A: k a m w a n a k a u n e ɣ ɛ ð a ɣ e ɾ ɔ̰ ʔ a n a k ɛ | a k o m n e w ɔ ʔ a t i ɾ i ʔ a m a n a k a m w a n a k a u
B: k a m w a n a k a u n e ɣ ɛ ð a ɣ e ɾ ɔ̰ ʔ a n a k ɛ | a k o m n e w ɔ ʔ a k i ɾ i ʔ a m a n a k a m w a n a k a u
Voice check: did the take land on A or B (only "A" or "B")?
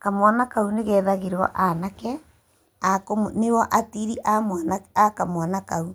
A